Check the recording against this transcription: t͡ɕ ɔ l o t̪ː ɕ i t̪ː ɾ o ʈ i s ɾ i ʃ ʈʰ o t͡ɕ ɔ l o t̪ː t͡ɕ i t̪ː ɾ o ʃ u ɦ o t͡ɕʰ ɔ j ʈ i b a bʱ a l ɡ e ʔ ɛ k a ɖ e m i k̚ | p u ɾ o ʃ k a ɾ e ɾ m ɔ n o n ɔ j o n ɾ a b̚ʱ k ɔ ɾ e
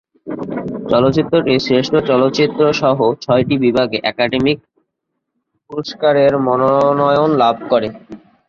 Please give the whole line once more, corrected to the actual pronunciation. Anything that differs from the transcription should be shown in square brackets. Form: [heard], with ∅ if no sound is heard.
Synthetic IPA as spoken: t͡ɕ ɔ l o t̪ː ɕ i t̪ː ɾ o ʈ i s ɾ [e] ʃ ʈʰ o t͡ɕ ɔ l o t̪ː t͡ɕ i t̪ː ɾ o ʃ [ɔ] ɦ o t͡ɕʰ ɔ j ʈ i b [i] bʱ a [∅] ɡ e ʔ ɛ k a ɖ e m i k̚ | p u ɾ o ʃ k a ɾ e ɾ m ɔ n o n ɔ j o n [l] a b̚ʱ k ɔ ɾ e

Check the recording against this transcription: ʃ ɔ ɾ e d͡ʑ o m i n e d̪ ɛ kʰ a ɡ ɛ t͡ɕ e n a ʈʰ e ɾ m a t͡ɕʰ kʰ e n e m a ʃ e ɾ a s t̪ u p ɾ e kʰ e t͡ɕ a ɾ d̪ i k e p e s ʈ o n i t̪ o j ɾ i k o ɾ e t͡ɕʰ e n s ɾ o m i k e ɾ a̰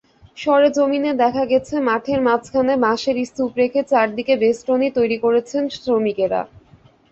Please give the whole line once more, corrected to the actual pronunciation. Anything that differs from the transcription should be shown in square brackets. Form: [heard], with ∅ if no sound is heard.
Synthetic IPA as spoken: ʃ ɔ ɾ e d͡ʑ o m i n e d̪ ɛ kʰ a ɡ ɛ [t͡ɕʰ] e [m] a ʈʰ e ɾ m a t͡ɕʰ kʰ [a] n e m a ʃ e ɾ [i] s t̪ u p ɾ e kʰ e t͡ɕ a ɾ d̪ i k e [b] e s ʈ o n i t̪ o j ɾ i k o ɾ e t͡ɕʰ e n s ɾ o m i k e ɾ a̰

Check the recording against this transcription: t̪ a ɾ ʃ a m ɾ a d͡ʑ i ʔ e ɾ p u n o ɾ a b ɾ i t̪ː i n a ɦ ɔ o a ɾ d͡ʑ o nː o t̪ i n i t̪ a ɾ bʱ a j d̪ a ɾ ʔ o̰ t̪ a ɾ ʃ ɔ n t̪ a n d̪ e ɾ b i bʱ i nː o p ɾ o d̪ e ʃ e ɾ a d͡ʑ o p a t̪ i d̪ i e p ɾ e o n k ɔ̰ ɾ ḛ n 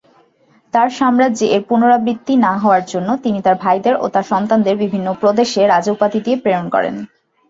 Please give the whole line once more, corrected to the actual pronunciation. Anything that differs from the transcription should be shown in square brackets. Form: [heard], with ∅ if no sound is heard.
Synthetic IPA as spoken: t̪ a ɾ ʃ a m ɾ a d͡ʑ i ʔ e ɾ p u n o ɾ a b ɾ i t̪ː i n a ɦ ɔ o a ɾ d͡ʑ o nː o t̪ i n i t̪ a ɾ bʱ a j d̪ [e] ɾ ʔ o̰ t̪ a ɾ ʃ ɔ n t̪ a n d̪ e ɾ b i bʱ i nː o p ɾ o d̪ e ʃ e ɾ a d͡ʑ o p a t̪ i d̪ i e p ɾ e o n k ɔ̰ ɾ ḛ n

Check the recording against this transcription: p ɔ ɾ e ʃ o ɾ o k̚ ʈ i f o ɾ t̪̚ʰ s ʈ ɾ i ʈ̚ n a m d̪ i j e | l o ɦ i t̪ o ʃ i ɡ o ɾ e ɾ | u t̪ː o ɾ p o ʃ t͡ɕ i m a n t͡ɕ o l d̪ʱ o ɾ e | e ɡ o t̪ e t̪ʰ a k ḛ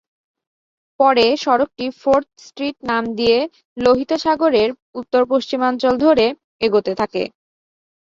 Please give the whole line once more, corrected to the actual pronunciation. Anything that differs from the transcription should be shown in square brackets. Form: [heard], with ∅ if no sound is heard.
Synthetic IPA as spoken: p ɔ ɾ e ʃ [ɔ] ɾ o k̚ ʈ i f o ɾ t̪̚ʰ s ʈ ɾ i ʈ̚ n a m d̪ i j e | l o ɦ i t̪ o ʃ [a] ɡ o ɾ e ɾ | u t̪ː o ɾ p o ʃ t͡ɕ i m a n t͡ɕ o l d̪ʱ o ɾ e | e ɡ o t̪ e t̪ʰ a k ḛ

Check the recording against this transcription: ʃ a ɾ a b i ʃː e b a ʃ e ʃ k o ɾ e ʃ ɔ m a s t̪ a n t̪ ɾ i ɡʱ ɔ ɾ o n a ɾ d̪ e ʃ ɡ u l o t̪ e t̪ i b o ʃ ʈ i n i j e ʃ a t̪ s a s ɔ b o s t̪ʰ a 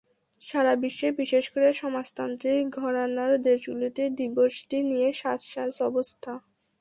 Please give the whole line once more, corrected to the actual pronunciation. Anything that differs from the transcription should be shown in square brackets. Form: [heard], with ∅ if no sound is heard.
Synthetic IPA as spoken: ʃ a ɾ a b i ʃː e b [i] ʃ e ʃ k o ɾ e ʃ ɔ m a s t̪ a n t̪ ɾ i ɡʱ ɔ ɾ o n a ɾ d̪ e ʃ ɡ u l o t̪ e [d̪] i b o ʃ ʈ i n i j e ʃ a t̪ [ʃ] a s ɔ b o s t̪ʰ a

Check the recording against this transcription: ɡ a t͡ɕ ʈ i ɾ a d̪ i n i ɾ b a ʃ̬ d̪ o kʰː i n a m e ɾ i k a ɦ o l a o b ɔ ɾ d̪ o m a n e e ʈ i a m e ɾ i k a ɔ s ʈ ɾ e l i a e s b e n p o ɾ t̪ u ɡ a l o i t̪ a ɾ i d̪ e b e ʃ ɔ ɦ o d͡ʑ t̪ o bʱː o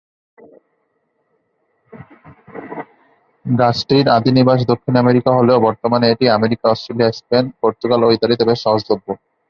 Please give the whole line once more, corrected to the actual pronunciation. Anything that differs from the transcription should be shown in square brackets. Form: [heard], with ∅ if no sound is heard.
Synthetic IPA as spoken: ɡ a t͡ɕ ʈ i ɾ a d̪ i n i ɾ b a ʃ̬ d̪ o kʰː i n a m e ɾ i k a ɦ o l [e] o b ɔ ɾ [t̪] o m a n e e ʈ i a m e ɾ i k a ɔ s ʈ ɾ e l i a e s [p] e n p o ɾ t̪ u ɡ a l o i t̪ a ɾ i [t̪] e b e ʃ ɔ ɦ o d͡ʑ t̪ o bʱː o

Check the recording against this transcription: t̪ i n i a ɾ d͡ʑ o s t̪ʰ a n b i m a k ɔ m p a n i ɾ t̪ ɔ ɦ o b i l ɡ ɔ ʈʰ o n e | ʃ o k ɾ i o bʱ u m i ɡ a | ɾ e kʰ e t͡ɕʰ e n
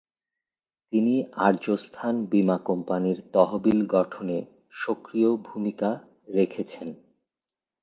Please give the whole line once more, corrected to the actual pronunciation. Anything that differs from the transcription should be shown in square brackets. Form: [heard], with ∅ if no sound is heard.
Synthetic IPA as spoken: t̪ i n i a ɾ d͡ʑ o s t̪ʰ a n b i m a k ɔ m p a n i ɾ t̪ ɔ ɦ o b i l ɡ ɔ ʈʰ o n e | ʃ o k ɾ i o bʱ u m i [k] a | ɾ e kʰ e t͡ɕʰ e n

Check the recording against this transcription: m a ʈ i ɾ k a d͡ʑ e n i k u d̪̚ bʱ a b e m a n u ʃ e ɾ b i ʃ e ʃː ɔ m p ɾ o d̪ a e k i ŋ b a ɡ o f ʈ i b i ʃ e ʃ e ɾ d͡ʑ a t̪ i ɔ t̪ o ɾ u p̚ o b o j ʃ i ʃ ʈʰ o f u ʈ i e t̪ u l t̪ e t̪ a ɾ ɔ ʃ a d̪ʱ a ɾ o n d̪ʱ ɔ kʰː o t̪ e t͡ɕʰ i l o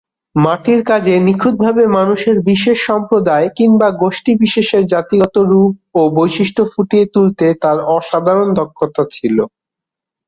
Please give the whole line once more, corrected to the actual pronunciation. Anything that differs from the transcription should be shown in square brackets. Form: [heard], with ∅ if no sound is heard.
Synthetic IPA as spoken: m a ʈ i ɾ k a d͡ʑ e n i [kʰ] u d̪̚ bʱ a b e m a n u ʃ e ɾ b i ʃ e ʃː ɔ m p ɾ o d̪ a e k i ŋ b a ɡ o [ʃ] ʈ i b i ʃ e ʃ e ɾ d͡ʑ a t̪ i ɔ t̪ o ɾ u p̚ o b o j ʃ i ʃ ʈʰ o f u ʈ i e t̪ u l t̪ e t̪ a ɾ ɔ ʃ a d̪ʱ a ɾ o n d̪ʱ ɔ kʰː o t̪ [a] t͡ɕʰ i l o

